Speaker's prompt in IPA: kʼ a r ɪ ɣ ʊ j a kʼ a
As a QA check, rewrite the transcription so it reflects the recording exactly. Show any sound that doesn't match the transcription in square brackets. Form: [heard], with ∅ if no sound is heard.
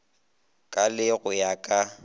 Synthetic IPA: kʼ a [l] ɪ ɣ ʊ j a kʼ a